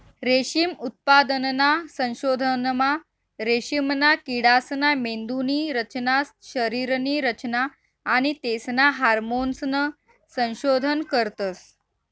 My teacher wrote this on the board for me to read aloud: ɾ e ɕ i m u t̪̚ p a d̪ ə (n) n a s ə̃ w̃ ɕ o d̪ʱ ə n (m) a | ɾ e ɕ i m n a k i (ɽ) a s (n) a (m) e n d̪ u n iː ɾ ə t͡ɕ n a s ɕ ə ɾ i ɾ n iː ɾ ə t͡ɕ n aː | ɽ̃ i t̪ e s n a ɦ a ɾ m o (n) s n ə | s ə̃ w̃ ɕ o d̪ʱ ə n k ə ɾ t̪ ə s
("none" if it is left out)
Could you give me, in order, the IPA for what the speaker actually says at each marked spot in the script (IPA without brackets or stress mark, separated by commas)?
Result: n, m, ɽ, n, m, n